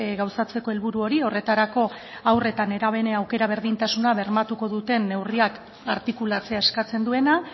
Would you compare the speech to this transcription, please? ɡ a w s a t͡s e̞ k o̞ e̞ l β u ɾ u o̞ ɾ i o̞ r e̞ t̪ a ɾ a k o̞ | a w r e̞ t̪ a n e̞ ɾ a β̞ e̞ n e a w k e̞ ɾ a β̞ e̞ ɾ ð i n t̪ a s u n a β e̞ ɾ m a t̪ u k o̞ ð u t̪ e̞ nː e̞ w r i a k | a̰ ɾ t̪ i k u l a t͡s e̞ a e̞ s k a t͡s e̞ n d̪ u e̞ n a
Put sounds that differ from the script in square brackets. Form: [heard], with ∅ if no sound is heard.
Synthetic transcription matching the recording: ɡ a w s a t͡s e̞ k o̞ e̞ l β u ɾ u o̞ ɾ i o̞ r e̞ t̪ a ɾ a k o̞ | a w r e̞ t̪ a n e̞ ɾ a β̞ e̞ n e a w k e̞ ɾ a β̞ e̞ ɾ ð i n t̪ a s u n a β e̞ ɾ m a t̪ u k o̞ ð u t̪ e̞ nː e̞ w r i a k | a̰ ɾ t̪ i k u l a t͡s e̞ a e̞ s k a t͡s e̞ n d̪ u e̞ n a